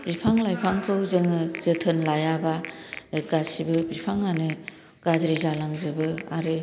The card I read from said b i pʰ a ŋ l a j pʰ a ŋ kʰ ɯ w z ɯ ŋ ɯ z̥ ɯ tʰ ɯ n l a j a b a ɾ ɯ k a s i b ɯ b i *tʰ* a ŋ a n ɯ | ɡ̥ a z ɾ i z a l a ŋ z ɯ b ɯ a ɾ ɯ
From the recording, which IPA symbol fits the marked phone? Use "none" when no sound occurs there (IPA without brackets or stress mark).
pʰ